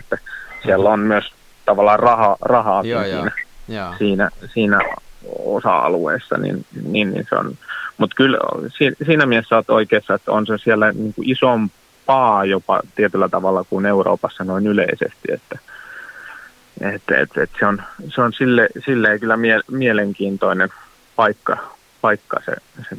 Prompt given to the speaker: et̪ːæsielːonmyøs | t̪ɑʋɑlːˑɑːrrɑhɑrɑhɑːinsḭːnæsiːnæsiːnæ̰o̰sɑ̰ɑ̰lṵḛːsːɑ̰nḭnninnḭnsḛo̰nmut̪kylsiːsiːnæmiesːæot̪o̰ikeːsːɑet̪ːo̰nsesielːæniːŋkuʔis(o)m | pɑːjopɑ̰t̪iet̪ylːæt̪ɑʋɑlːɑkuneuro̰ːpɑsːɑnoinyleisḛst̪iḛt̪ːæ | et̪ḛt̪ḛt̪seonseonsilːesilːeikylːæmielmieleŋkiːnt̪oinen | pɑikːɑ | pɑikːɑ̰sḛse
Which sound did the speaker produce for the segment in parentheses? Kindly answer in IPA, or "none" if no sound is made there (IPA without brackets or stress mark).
o